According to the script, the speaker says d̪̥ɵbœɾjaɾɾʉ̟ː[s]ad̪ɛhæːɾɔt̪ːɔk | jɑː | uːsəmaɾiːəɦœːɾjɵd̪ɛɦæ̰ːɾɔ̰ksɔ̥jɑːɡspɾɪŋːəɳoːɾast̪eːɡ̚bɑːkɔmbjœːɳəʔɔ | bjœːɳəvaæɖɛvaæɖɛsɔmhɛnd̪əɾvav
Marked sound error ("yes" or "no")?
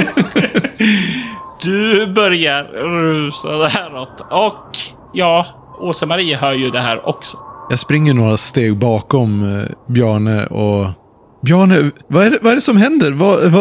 no